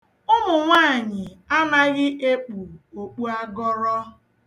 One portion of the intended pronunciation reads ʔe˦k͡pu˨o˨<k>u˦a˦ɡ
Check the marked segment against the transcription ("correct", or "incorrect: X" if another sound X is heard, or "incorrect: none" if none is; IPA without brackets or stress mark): incorrect: k͡p